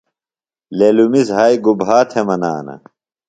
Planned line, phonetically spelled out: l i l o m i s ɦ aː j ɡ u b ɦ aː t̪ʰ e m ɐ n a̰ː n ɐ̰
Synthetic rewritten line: l e l u m i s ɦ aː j ɡ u b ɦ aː t̪ʰ e m ɐ n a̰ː n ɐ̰